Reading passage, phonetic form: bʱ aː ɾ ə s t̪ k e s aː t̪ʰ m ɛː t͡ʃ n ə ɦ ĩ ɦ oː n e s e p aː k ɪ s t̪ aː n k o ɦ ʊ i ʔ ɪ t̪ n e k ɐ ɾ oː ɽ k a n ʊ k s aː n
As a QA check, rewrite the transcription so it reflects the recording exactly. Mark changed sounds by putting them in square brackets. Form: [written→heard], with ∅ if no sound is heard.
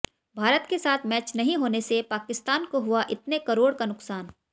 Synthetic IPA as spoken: bʱ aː ɾ ə [s→∅] t̪ k e s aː t̪ʰ m ɛː t͡ʃ n [ə→ɐ] ɦ ĩ ɦ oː n e s e p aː k ɪ s t̪ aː n k o ɦ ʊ [i→a] ʔ ɪ t̪ n e k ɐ ɾ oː ɽ k a n ʊ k s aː n